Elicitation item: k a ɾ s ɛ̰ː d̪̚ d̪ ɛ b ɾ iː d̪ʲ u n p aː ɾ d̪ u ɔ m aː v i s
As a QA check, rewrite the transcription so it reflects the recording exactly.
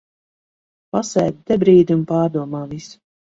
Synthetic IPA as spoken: p a s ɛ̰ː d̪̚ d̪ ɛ b ɾ iː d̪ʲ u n p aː ɾ d̪ u ɔ m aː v i s